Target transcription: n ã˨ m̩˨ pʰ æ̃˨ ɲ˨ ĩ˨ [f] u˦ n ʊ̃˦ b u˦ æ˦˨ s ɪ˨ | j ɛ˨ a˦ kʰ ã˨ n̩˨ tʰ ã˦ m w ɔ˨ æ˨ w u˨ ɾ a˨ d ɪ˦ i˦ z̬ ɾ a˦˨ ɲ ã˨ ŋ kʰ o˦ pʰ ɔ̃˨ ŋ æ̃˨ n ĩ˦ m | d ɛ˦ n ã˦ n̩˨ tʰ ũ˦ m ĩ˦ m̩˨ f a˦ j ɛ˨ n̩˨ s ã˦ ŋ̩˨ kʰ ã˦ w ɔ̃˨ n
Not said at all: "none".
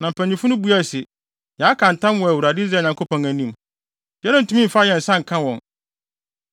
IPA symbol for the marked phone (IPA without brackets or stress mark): f